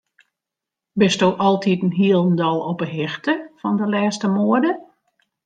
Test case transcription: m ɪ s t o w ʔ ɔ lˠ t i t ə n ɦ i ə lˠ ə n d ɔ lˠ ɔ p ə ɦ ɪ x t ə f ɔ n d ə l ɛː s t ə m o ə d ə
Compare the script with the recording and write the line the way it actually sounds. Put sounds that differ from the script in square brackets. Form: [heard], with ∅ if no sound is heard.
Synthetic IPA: [b] ɪ s t o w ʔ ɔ lˠ t i t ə n ɦ i ə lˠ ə n d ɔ lˠ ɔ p ə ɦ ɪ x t ə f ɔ n d ə l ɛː s t ə m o ə d ə